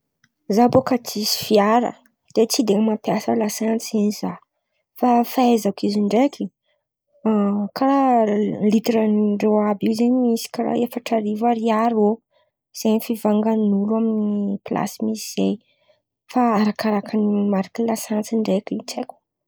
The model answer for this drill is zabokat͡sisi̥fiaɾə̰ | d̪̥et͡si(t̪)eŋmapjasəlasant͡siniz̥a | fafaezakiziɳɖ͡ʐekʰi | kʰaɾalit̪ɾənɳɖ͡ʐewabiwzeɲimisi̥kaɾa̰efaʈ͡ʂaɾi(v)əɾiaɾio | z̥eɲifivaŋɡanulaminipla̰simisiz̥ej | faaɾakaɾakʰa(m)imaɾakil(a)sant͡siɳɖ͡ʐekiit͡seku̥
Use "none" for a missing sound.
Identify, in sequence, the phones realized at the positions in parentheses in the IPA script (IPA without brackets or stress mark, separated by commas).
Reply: d̪, v, n, a